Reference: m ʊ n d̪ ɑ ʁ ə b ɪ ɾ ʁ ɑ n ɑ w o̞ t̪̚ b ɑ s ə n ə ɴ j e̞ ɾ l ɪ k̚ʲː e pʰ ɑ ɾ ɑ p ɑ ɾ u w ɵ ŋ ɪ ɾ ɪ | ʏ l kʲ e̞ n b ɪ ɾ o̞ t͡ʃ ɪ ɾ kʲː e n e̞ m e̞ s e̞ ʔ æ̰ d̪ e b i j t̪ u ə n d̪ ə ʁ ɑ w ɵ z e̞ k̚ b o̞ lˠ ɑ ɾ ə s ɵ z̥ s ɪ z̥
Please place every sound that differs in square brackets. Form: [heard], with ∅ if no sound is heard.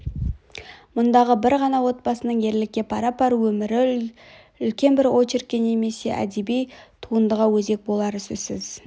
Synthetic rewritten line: m ʊ n d̪ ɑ ʁ ə b ɪ ɾ ʁ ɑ n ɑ w o̞ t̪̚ b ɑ s ə n ə ɴ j e̞ ɾ l ɪ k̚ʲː e pʰ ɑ ɾ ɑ p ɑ ɾ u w ɵ [m] ɪ ɾ ɪ | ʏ l kʲ e̞ n b ɪ ɾ o̞ t͡ʃ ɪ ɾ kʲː e n e̞ m e̞ s e̞ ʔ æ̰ d̪ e b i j [t̪ʰ] u ə n d̪ ə ʁ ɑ w ɵ z e̞ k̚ b o̞ lˠ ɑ ɾ ə s ɵ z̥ s ɪ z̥